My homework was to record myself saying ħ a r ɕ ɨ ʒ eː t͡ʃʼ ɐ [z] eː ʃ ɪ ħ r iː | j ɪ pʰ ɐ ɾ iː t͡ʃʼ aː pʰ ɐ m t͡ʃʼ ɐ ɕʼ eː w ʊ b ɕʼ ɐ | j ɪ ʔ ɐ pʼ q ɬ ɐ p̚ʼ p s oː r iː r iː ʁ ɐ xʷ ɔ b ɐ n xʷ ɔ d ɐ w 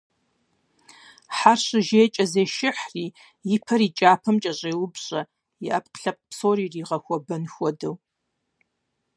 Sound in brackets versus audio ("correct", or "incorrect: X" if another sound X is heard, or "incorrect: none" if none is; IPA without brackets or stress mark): correct